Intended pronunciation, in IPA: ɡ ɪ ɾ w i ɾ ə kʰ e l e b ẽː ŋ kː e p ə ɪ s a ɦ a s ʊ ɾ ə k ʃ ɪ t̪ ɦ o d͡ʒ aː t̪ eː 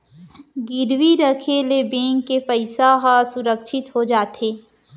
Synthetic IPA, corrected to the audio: ɡ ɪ ɾ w i ɾ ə kʰ e l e b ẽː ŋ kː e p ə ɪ s a ɦ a s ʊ ɾ ə k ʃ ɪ t̪ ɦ o d͡ʒ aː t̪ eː